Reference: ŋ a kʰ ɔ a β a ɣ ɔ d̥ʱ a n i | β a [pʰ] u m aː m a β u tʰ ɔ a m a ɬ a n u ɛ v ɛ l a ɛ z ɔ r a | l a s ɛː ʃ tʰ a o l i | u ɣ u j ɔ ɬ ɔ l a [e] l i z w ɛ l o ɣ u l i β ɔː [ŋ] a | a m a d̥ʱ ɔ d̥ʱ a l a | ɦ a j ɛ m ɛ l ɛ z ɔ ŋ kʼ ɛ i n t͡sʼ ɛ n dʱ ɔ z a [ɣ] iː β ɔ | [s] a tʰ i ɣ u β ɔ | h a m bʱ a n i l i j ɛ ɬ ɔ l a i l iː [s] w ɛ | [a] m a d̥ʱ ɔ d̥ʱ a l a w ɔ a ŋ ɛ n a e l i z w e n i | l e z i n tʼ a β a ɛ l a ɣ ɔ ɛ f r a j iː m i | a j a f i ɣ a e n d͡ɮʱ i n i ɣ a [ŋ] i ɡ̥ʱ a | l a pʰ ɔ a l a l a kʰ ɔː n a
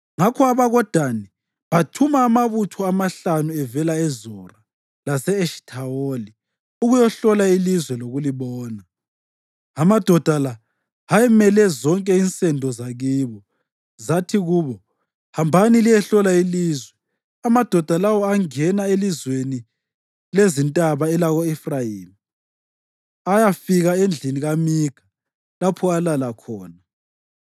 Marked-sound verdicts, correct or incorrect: incorrect, incorrect, incorrect, correct, incorrect, incorrect, correct, incorrect

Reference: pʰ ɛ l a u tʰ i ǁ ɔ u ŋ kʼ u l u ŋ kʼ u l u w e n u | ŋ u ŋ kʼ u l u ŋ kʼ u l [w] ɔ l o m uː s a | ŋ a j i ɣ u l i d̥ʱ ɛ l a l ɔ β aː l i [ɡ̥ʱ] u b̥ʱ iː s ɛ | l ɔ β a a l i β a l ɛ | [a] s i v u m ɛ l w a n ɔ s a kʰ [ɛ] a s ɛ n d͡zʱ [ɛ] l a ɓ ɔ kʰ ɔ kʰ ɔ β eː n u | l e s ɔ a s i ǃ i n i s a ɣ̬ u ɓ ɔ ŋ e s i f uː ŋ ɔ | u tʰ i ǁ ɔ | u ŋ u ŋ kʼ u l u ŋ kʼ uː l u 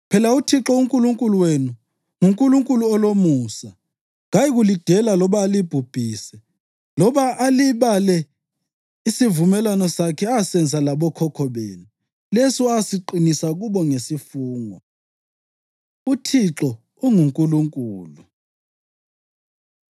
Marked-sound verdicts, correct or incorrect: incorrect, incorrect, incorrect, correct, incorrect

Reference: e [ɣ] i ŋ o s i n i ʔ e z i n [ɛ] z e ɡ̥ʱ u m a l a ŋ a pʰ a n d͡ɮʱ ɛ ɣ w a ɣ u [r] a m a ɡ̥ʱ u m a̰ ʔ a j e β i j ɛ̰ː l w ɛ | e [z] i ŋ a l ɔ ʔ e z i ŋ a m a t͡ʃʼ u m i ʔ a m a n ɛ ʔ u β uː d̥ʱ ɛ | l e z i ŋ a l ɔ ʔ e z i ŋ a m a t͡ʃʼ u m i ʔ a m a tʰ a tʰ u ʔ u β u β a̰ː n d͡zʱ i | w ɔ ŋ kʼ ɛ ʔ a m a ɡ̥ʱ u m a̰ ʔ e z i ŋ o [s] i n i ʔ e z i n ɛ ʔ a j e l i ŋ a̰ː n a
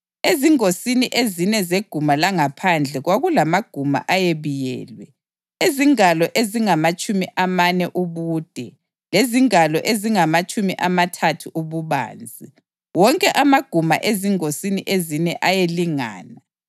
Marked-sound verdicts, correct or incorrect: incorrect, correct, incorrect, correct, correct

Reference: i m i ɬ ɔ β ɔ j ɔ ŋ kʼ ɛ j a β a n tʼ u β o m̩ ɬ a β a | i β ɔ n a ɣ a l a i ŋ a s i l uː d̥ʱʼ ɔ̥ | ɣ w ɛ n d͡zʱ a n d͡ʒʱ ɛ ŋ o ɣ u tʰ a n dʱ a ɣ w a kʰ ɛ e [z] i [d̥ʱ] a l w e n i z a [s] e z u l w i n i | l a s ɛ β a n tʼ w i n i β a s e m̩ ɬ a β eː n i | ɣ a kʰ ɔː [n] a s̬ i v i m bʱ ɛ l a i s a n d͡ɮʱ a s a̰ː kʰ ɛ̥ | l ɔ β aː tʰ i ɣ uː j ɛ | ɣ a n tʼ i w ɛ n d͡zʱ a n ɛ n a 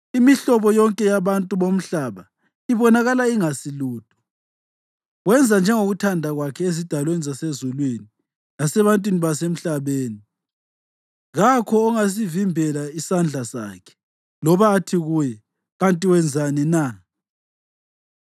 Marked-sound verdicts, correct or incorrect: correct, correct, correct, incorrect

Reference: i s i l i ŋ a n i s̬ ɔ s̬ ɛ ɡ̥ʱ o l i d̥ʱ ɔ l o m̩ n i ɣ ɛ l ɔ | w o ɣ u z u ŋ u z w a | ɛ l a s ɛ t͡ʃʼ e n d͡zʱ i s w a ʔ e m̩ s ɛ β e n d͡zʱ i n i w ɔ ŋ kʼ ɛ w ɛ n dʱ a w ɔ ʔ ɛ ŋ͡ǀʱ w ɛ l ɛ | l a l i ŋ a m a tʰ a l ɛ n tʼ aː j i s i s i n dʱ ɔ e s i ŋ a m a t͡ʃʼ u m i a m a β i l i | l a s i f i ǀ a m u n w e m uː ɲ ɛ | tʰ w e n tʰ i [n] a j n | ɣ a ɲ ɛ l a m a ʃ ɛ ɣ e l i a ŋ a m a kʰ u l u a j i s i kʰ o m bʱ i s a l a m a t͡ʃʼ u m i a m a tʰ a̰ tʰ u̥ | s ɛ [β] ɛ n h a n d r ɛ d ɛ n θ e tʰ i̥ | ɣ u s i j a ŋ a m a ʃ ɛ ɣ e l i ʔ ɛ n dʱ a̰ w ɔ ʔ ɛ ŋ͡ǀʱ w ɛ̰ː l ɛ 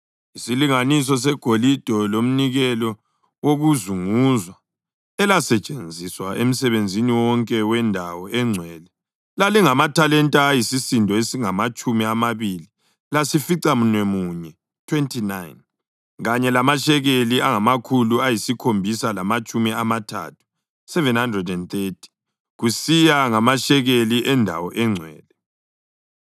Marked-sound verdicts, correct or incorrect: correct, incorrect

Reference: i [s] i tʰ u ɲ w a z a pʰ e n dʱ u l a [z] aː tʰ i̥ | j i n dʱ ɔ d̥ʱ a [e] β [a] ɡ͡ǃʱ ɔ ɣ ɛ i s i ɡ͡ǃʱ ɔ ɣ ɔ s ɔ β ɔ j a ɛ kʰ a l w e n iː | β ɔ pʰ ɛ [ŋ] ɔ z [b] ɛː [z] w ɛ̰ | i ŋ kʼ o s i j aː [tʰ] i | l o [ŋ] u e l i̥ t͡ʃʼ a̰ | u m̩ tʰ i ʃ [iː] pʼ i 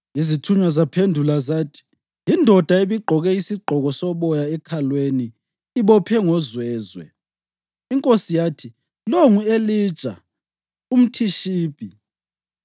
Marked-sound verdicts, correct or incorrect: incorrect, correct, correct, incorrect, correct, incorrect, correct, correct, correct, correct

